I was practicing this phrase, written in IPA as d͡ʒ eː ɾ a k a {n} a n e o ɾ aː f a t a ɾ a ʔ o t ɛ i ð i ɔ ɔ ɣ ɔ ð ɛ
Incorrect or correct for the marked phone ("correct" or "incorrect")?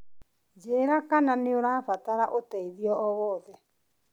correct